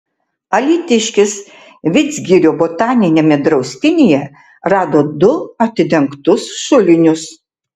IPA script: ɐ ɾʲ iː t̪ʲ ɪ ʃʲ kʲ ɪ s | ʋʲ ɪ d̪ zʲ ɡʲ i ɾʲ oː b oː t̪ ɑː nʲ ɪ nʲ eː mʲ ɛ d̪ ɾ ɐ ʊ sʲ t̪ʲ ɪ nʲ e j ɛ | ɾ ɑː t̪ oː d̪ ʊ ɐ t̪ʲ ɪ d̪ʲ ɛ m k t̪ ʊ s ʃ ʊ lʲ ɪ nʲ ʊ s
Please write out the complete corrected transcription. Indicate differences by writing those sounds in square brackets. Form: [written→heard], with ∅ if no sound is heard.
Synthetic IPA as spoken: ɐ [ɾʲ→lʲ] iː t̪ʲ ɪ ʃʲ kʲ ɪ s | ʋʲ ɪ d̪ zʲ ɡʲ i ɾʲ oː b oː t̪ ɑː nʲ ɪ nʲ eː mʲ ɛ d̪ ɾ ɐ ʊ sʲ t̪ʲ ɪ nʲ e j ɛ | ɾ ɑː [t̪→d̪] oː d̪ ʊ ɐ t̪ʲ ɪ d̪ʲ ɛ [m→ŋ] k t̪ ʊ s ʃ ʊ lʲ ɪ nʲ ʊ s